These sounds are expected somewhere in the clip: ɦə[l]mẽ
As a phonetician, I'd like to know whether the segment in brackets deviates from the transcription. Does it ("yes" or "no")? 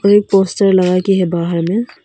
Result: yes